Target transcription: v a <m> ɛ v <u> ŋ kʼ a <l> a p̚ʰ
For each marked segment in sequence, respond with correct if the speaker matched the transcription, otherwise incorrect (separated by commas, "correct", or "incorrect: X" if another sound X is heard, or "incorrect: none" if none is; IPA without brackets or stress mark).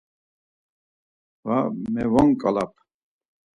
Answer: correct, incorrect: ɔ, correct